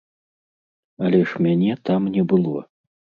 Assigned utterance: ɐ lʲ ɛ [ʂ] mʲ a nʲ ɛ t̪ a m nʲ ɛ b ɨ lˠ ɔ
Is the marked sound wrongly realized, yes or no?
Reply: no